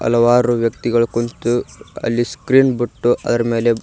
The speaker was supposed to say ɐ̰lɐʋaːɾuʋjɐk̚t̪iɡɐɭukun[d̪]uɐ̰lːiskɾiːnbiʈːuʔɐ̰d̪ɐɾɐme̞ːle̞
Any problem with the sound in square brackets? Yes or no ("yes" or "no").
yes